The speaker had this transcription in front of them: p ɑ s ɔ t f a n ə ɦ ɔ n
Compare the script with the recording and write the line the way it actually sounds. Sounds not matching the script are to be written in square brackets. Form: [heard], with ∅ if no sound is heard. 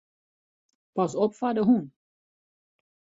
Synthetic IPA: p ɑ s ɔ [p] f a [d] ə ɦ [u] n